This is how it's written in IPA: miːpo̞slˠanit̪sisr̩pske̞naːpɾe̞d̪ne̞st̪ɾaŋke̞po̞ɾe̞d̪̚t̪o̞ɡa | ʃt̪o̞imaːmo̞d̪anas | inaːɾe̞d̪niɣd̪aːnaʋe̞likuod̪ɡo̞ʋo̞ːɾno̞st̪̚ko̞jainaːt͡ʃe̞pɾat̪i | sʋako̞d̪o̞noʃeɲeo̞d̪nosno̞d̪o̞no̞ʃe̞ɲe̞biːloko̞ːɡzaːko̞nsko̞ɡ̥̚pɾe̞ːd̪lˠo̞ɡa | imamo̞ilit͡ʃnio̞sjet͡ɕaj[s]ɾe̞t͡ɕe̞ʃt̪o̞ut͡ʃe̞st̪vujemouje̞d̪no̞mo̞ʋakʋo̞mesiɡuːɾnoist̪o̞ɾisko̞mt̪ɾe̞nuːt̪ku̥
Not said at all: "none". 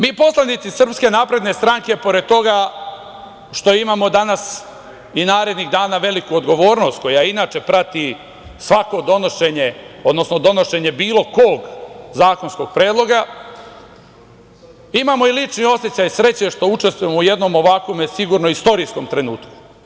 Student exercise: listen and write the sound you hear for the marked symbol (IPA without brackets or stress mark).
s